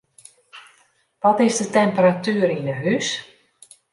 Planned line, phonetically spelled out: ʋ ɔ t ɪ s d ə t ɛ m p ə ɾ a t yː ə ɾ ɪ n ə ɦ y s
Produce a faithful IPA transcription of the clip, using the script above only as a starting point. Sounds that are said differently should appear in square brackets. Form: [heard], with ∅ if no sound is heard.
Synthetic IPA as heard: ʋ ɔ t ɪ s d ə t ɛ m p ə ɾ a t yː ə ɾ [i] n ə ɦ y s

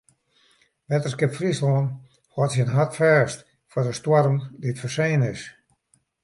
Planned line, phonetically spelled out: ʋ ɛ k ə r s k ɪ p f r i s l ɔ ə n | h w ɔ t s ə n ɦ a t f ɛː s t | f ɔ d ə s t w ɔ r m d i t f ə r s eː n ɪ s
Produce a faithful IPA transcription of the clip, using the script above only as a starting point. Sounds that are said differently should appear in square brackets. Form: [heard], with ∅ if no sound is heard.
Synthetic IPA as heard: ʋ ɛ [t] ə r s k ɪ p f r i s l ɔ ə n | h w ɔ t s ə n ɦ a t f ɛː s t | f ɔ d ə s t w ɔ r m d i t f ə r s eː n ɪ s

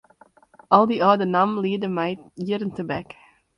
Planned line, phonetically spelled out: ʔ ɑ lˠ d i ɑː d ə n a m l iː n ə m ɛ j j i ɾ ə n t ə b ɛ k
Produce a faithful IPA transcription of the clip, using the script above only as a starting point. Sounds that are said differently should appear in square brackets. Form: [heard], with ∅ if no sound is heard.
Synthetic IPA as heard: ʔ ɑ lˠ d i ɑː d ə n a m l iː [d] ə m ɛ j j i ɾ ə n t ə b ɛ k

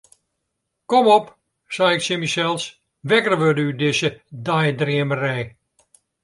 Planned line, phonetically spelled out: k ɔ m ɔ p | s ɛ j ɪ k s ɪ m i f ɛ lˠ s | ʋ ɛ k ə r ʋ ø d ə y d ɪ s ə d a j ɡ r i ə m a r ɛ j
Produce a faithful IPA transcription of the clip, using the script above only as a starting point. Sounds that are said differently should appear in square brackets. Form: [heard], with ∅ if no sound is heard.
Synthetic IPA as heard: k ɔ m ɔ p | s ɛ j ɪ k s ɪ m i [s] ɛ lˠ s | ʋ ɛ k ə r ʋ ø d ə y d ɪ s ə d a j [d] r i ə m [ə] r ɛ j

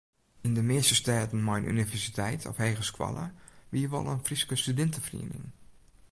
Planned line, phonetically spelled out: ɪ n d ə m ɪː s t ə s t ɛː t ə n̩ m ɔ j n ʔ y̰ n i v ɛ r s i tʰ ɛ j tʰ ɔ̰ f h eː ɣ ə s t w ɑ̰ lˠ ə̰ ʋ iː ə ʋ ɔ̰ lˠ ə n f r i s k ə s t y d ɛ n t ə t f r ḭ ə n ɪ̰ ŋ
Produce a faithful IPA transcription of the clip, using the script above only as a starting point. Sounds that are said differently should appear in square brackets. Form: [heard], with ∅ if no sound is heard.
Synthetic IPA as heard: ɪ n d ə m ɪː s t ə s t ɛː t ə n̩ m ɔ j n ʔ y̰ n i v ɛ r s i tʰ ɛ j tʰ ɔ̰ f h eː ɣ ə s [k] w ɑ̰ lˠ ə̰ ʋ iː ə ʋ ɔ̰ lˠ ə n f r i s k ə s t y d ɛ n t ə [∅] f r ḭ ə n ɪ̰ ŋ

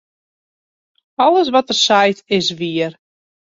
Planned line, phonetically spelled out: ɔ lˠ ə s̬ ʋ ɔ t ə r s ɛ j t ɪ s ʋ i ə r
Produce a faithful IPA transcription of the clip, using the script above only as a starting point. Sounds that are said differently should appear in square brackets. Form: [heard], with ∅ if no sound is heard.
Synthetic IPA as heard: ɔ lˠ ə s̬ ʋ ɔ t ə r s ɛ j t ɪ s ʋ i ə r

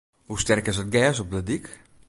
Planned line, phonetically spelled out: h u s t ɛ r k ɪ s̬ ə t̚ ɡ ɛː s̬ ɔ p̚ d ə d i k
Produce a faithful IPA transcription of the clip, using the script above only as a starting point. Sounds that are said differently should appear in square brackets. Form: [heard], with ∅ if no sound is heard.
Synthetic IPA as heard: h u s t ɛ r k ɪ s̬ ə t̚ ɡ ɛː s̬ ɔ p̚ d ə d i k

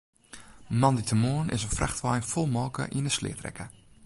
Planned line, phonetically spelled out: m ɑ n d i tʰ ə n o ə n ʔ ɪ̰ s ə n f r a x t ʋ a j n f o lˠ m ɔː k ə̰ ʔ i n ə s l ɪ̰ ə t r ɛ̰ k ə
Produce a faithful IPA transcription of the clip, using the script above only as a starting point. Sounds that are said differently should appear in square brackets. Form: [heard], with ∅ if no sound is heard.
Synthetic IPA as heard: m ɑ n d i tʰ ə [m] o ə n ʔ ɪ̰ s ə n f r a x t ʋ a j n f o lˠ m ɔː k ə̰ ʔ i n ə s l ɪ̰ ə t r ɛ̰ k ə

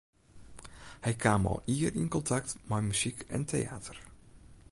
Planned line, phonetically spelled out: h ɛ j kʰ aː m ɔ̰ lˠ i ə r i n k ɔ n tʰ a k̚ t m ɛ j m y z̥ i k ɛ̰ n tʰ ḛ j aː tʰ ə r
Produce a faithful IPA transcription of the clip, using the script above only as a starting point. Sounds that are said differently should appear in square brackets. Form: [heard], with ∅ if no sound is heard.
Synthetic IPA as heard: h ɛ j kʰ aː m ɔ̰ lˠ i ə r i n k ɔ n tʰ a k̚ t m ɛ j m y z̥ i k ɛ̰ n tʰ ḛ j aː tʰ ə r

